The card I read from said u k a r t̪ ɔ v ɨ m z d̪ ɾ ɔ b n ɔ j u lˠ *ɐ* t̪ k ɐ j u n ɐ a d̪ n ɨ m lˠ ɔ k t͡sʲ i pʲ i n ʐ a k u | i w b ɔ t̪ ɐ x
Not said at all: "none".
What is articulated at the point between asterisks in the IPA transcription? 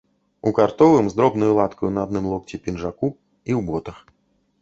a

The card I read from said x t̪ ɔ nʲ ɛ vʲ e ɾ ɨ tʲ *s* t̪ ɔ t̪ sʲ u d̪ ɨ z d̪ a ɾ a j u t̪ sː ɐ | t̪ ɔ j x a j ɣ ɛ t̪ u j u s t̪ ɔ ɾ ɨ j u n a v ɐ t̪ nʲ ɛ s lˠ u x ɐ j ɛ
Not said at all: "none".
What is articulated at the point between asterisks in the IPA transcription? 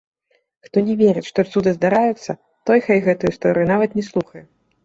ʂ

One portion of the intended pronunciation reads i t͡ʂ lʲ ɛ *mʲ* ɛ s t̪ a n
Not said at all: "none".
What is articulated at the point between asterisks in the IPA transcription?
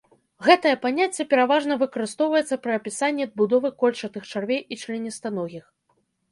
nʲ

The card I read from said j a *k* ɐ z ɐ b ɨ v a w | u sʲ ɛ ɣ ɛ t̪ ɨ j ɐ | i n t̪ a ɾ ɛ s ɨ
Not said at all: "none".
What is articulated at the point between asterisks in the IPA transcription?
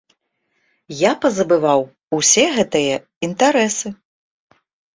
p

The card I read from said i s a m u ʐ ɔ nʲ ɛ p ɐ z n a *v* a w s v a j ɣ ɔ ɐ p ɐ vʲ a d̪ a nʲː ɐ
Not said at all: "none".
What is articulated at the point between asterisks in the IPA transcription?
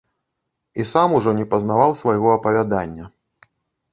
v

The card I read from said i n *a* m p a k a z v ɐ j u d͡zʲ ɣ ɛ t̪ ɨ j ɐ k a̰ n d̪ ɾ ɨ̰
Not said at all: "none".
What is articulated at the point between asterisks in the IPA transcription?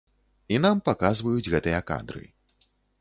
a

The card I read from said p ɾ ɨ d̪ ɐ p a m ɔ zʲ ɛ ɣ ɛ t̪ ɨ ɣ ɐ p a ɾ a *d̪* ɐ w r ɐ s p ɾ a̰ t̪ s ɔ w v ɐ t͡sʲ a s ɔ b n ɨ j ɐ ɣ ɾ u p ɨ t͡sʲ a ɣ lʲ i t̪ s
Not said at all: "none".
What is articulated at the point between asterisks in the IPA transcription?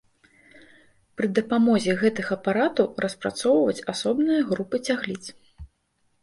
t̪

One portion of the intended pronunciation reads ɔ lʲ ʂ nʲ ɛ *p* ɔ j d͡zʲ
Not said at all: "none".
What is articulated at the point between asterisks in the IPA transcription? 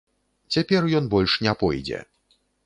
p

